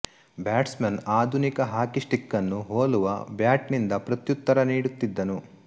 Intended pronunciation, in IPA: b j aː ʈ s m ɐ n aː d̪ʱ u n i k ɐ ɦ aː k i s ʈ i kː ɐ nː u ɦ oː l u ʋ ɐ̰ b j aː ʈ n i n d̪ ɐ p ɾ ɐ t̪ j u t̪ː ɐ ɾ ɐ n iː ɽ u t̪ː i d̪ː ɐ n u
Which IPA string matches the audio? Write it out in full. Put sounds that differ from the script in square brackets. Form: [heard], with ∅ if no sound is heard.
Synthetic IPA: b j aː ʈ s m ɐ n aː d̪ʱ u n i k ɐ ɦ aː k i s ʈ i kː ɐ nː u ɦ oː l u ʋ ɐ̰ b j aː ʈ n i n d̪ ɐ p ɾ ɐ t̪ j u t̪ː ɐ ɾ ɐ n iː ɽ u t̪ː i d̪ː ɐ n u